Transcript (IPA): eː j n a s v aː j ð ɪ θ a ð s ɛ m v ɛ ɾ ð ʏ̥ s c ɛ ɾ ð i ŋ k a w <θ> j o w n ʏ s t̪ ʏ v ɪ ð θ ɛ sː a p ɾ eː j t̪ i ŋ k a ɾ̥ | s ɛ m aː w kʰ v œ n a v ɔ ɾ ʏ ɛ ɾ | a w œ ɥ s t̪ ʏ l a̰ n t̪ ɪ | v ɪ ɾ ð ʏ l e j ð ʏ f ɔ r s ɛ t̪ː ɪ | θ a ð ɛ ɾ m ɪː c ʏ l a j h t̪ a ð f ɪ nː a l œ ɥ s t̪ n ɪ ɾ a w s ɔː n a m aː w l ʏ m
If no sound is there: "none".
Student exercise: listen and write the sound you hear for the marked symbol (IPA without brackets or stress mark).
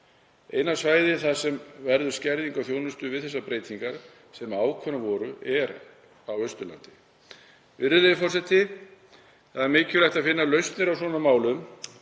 θ